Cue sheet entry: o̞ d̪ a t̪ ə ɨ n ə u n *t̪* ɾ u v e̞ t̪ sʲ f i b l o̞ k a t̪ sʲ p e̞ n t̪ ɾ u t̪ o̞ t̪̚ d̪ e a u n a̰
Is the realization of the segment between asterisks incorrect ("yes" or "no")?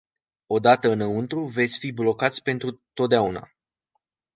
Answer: no